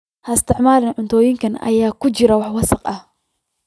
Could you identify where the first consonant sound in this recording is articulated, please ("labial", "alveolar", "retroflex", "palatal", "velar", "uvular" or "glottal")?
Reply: glottal